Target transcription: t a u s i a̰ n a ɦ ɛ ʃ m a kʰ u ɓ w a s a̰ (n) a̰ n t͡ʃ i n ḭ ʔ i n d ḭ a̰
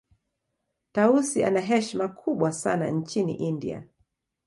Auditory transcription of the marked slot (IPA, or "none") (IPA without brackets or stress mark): n